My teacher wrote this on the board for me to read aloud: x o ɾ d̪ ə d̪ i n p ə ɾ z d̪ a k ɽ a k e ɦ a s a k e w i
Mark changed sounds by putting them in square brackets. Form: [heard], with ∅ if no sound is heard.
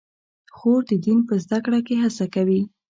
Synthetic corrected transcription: x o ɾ d̪ ə d̪ i n p ə [∅] z d̪ a k ɽ a k e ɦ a s a k [a] w i